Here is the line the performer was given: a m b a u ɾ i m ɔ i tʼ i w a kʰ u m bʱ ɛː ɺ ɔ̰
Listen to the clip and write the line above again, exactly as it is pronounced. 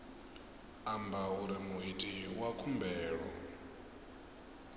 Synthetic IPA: a m b a u ɾ i m u i tʼ i w a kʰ u m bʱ ɛː ɺ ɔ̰